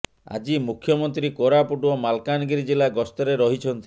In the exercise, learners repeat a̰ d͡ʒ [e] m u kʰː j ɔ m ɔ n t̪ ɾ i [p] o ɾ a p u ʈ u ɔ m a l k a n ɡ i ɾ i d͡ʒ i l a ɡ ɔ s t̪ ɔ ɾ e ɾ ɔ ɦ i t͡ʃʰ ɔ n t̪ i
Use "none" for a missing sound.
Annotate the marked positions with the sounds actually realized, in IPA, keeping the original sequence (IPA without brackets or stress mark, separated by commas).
i, k